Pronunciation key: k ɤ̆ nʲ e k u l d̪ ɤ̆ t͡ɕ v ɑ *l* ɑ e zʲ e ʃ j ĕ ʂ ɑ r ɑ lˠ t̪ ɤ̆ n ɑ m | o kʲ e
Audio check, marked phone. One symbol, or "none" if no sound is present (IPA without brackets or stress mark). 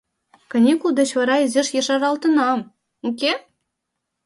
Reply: ɾ